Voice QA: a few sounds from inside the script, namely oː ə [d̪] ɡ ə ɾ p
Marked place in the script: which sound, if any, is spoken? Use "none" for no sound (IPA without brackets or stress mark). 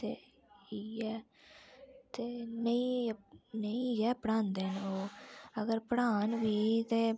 none